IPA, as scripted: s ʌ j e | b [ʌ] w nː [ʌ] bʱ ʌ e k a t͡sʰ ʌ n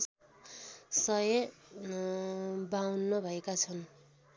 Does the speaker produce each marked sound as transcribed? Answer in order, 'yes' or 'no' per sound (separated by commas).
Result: no, yes